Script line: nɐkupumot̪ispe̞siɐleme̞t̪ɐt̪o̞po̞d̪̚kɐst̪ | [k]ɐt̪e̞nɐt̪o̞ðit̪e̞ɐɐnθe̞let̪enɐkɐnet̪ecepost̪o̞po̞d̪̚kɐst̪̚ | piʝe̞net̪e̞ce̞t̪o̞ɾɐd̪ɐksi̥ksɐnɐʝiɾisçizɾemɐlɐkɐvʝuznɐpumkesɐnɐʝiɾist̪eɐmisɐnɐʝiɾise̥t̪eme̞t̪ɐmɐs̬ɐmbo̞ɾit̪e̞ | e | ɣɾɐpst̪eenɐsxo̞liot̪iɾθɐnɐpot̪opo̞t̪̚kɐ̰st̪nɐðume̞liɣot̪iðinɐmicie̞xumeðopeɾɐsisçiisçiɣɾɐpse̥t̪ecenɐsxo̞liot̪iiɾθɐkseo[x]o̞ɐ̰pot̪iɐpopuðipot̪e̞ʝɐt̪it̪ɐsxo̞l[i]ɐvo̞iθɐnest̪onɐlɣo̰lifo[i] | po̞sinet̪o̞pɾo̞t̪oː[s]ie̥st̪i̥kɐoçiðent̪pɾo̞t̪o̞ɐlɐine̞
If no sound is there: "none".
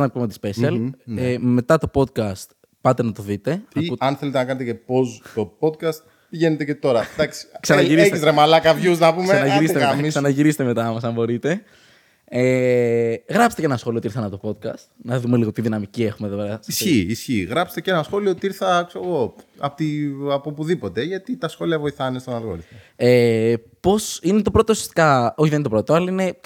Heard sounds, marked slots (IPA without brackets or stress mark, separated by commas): p, ɣ, i, e, s